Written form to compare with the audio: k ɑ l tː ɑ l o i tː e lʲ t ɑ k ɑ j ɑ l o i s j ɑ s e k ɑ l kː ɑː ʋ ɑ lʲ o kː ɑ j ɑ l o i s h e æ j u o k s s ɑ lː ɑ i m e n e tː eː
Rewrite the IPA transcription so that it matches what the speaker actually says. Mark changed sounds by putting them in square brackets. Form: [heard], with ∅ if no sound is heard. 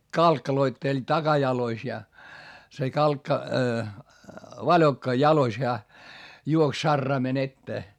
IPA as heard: k ɑ l [kː] ɑ l o i tː e lʲ t ɑ k ɑ j ɑ l o i s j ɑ s e k ɑ l kː [ɑ] ʋ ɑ lʲ o kː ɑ j ɑ l o i s h e æ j u o k s s ɑ [rː] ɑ i m e n e tː eː